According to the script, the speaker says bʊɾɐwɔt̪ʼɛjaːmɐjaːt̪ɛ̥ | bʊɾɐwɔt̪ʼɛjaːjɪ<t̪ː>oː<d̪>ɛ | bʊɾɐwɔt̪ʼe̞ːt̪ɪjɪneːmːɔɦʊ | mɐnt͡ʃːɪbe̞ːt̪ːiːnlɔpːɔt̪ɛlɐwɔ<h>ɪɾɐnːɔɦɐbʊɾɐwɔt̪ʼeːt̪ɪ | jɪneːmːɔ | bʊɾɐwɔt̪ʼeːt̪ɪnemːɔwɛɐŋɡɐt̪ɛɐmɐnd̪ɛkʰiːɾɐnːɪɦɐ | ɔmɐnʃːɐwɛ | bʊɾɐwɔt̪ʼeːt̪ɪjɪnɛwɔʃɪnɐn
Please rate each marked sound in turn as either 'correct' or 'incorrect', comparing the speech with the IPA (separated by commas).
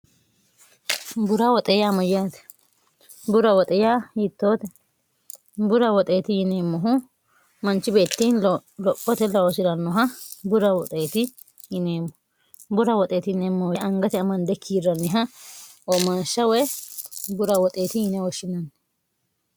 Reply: correct, incorrect, incorrect